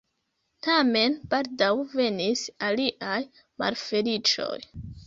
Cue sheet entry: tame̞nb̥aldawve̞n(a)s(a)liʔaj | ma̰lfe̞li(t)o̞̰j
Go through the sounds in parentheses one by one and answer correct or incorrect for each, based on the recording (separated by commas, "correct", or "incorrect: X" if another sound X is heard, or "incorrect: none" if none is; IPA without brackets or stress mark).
incorrect: i, correct, incorrect: t͡ʃ